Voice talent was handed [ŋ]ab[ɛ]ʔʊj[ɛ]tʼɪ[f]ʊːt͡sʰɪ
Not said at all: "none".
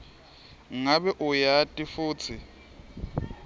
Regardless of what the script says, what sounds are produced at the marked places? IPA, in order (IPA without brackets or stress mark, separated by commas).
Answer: ŋ, ɛ, a, f